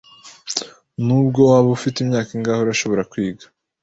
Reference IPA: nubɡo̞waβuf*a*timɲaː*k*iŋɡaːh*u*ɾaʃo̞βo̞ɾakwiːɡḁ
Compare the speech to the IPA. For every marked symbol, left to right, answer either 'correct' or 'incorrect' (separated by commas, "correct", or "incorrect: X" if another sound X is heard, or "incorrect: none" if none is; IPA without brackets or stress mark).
incorrect: i, correct, incorrect: o